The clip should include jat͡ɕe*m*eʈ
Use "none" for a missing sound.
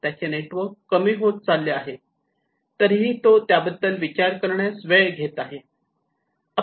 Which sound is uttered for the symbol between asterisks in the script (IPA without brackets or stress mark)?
n